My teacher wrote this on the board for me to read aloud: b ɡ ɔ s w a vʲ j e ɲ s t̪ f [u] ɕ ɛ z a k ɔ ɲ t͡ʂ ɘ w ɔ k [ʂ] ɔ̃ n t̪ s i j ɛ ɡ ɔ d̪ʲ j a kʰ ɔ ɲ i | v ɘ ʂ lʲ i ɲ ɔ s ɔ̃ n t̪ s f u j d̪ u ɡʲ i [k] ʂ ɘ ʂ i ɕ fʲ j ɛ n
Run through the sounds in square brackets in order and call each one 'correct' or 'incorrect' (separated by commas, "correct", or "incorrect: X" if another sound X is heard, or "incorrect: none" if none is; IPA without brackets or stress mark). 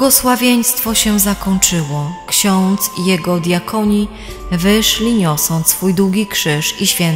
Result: incorrect: ɔ, incorrect: ɕ, correct